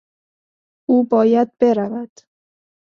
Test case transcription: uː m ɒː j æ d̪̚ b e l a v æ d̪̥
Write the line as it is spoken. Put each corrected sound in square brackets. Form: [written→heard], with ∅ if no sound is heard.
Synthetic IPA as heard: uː [m→b] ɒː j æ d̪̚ b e [l→ɾ] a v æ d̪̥